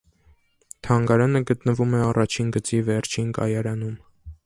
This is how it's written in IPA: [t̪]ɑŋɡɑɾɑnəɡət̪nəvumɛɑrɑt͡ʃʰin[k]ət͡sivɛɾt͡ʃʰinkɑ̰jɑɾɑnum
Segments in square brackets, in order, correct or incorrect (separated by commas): incorrect, incorrect